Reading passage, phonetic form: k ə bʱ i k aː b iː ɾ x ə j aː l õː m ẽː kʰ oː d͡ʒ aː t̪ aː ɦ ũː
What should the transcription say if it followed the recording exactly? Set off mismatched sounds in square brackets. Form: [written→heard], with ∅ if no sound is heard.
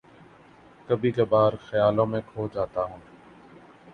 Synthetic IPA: k ə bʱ [i→iː] k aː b [iː→aː] ɾ x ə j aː l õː m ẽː kʰ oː d͡ʒ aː t̪ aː ɦ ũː